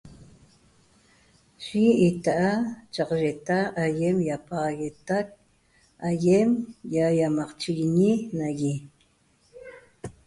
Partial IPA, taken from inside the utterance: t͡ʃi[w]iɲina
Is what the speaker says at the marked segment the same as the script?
no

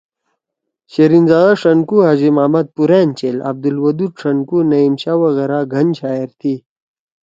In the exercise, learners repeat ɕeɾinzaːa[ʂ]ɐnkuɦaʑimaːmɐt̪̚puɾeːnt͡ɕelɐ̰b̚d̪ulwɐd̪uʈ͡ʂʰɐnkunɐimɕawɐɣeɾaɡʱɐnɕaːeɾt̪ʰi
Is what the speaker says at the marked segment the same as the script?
yes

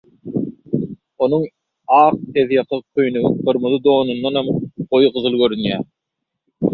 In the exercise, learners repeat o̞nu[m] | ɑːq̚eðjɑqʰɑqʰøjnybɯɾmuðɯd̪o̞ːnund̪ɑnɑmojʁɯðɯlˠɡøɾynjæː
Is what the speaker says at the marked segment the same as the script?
no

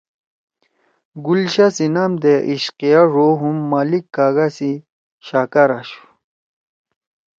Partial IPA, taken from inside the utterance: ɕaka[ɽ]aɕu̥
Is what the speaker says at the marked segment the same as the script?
no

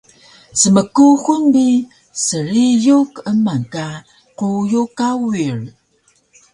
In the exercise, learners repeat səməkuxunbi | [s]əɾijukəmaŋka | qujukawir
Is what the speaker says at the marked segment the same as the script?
yes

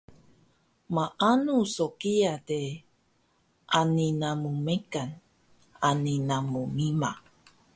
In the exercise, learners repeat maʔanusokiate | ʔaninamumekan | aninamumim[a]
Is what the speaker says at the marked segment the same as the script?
yes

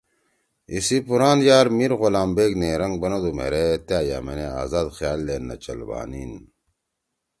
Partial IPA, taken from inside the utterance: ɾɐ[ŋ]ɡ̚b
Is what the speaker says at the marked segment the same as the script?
yes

